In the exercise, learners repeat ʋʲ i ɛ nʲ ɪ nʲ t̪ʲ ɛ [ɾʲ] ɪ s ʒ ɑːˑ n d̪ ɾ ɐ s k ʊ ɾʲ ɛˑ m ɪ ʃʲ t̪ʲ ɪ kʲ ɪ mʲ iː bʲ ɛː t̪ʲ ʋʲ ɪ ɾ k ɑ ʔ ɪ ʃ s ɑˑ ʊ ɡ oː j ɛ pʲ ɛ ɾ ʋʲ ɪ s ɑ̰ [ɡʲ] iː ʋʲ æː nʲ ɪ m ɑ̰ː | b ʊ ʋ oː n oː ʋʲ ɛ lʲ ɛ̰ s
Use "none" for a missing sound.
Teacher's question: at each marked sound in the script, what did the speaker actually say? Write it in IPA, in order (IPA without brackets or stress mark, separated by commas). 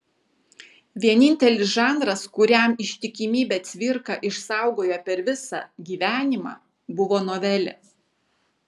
lʲ, ɡʲ